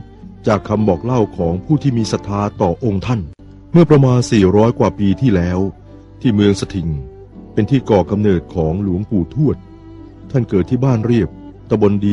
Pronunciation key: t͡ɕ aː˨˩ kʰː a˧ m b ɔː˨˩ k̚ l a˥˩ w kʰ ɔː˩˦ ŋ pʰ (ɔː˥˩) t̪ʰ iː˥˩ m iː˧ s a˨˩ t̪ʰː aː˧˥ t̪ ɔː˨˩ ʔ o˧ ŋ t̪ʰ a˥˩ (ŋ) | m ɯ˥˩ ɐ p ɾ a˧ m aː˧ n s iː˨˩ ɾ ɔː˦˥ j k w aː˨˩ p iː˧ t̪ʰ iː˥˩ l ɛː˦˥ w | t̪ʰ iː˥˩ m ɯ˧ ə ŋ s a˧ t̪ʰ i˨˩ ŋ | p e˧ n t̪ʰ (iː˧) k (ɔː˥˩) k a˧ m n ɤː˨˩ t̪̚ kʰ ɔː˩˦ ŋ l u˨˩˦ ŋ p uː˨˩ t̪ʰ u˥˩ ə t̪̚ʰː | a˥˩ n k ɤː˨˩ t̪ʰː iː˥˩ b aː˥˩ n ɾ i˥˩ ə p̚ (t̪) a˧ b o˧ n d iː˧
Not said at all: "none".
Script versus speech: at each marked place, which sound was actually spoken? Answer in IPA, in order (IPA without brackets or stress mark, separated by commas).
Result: uː˥˩, n, iː˥˩, ɔː˨˩, t̪